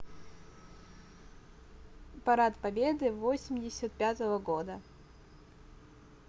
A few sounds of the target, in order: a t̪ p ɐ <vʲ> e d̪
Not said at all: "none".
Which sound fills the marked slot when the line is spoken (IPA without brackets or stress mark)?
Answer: bʲ